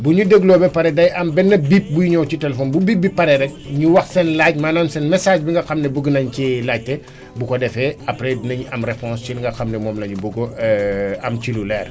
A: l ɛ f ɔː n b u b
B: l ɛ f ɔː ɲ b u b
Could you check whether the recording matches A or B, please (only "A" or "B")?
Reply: A